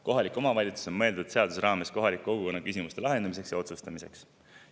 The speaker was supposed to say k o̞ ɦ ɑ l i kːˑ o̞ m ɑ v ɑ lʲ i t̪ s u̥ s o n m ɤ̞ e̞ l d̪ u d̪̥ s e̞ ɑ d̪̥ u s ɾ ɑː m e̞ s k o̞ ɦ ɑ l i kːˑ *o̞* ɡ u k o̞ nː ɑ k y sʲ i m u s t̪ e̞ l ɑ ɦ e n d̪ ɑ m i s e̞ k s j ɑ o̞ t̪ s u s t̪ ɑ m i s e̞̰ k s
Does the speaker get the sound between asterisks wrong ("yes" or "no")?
no